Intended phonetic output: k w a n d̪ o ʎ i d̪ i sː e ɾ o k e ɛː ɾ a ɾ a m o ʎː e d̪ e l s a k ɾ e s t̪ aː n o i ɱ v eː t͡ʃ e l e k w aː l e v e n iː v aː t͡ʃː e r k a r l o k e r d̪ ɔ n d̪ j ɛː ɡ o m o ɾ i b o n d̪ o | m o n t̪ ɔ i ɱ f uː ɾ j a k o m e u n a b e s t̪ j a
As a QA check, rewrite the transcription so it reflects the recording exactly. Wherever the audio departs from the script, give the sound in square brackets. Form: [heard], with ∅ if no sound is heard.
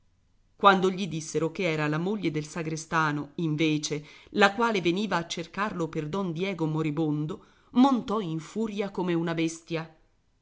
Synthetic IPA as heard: k w a n d̪ o ʎ i d̪ i sː e ɾ o k e ɛː ɾ a [l] a m o ʎː e d̪ e l s a [ɡ] ɾ e s t̪ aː n o i ɱ v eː t͡ʃ e l [a] k w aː l e v e n iː v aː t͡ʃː e r k a r l o [p] e r d̪ ɔ n d̪ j ɛː ɡ o m o ɾ i b o n d̪ o | m o n t̪ ɔ i ɱ f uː ɾ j a k o m e u n a b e s t̪ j a